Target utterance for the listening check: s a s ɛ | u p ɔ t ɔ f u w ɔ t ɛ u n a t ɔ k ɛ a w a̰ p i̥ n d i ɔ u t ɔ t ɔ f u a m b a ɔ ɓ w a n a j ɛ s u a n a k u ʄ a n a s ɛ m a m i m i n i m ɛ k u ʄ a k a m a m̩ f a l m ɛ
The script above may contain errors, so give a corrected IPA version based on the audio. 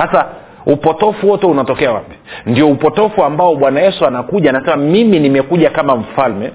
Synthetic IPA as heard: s a s a | u p ɔ t ɔ f u w ɔ t ɛ u n a t ɔ k ɛ a w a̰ p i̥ n d i ɔ u p ɔ t ɔ f u a m b a ɔ ɓ w a n a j ɛ s u a n a k u ʄ a n a s ɛ m a m i m i n i m ɛ k u ʄ a k a m a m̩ f a l m ɛ